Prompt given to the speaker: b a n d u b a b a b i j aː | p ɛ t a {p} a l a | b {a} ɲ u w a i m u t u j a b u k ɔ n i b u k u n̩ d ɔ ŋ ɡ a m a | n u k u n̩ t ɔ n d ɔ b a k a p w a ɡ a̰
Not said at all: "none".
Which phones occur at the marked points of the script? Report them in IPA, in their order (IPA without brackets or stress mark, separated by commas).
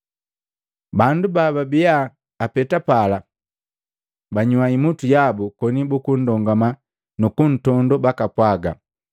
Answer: p, a